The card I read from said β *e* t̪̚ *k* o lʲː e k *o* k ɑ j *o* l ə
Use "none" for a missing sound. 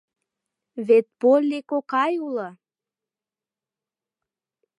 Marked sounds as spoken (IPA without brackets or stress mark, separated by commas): e, p, o, u